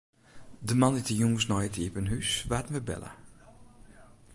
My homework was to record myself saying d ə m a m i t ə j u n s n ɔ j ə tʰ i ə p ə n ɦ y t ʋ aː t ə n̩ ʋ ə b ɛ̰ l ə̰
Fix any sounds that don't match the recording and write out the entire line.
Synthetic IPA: d ə m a n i t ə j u ŋ s n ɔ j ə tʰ i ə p ə n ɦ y s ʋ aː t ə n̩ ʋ ə b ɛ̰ l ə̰